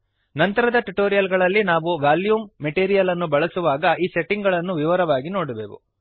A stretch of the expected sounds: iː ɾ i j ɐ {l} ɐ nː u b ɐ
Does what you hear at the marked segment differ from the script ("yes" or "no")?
no